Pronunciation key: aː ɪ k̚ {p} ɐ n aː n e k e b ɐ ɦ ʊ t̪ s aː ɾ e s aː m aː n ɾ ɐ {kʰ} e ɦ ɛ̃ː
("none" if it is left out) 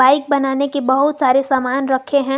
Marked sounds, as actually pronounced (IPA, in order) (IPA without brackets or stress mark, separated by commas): b, kʰ